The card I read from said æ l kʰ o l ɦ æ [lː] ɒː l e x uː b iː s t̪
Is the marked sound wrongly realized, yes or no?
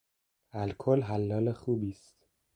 no